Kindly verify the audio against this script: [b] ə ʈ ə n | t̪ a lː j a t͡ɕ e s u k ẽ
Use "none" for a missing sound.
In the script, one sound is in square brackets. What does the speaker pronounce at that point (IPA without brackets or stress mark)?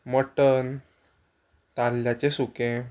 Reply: m